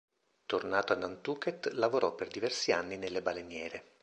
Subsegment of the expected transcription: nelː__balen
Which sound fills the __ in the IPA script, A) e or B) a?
A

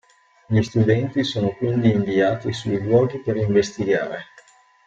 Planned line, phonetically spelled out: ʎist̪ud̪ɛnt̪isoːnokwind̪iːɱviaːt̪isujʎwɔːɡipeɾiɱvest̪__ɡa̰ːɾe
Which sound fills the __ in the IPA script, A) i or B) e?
A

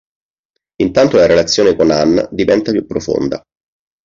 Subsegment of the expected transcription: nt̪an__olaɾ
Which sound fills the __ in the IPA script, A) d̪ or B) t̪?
B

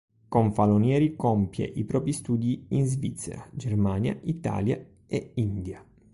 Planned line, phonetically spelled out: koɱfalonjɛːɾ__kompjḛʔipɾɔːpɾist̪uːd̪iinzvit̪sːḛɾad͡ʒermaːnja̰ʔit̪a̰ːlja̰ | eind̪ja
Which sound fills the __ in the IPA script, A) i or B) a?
A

